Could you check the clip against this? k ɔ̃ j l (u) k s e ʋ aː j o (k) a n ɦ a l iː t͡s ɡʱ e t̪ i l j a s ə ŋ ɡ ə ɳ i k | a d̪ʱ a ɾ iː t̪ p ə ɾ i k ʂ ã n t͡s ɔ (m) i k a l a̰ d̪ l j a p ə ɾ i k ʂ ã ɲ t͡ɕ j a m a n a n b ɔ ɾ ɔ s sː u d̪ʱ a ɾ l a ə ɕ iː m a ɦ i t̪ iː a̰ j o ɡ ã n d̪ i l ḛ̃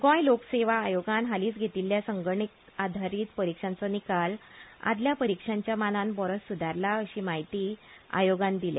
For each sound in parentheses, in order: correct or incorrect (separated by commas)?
incorrect, incorrect, incorrect